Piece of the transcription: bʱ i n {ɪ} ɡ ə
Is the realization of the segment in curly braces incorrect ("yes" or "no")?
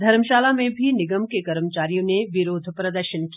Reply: no